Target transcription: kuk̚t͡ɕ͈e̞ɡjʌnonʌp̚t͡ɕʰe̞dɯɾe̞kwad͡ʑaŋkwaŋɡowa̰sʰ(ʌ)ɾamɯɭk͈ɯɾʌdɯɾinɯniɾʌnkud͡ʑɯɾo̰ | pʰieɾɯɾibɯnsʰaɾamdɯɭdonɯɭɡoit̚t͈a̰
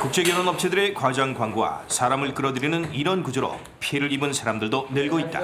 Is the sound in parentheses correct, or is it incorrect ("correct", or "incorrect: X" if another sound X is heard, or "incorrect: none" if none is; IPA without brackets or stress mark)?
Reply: incorrect: a